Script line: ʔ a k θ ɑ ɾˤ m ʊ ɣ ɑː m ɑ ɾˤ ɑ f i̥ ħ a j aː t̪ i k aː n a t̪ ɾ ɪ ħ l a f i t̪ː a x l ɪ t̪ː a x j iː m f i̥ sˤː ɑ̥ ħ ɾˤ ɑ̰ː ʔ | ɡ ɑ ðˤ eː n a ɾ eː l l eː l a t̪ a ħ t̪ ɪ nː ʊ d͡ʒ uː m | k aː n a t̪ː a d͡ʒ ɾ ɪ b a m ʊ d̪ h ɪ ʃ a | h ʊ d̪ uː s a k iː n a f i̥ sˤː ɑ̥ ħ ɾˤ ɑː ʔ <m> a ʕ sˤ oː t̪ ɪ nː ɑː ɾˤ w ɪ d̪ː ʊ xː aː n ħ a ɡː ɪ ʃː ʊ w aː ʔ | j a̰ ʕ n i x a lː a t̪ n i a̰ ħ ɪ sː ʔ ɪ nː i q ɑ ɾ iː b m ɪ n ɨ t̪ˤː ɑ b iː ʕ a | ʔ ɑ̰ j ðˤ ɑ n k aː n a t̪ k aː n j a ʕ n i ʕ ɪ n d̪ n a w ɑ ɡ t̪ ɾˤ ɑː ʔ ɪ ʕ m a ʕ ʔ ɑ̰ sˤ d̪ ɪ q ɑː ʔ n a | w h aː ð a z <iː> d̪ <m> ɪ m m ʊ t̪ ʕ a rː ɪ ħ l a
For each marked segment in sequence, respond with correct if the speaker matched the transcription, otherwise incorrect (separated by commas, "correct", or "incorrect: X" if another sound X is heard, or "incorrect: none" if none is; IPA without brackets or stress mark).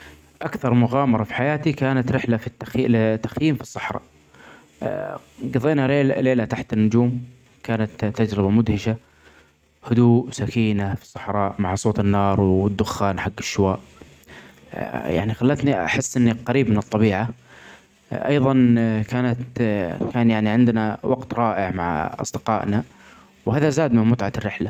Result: correct, incorrect: aː, correct